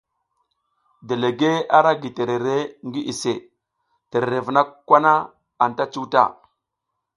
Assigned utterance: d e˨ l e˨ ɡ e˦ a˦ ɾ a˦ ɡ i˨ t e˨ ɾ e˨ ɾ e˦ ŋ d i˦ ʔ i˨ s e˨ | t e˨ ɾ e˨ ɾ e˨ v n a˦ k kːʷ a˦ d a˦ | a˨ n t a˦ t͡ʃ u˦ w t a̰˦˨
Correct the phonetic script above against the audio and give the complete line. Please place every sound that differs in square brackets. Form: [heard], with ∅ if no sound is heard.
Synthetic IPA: d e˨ l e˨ ɡ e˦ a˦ ɾ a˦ ɡ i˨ t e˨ ɾ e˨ ɾ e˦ ŋ [ɡ] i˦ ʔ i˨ s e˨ | t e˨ ɾ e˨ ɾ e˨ v n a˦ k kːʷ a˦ [n] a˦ | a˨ n t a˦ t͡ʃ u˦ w t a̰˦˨